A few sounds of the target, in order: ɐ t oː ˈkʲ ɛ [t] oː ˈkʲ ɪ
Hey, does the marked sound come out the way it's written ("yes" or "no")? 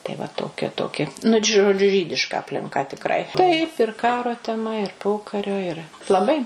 yes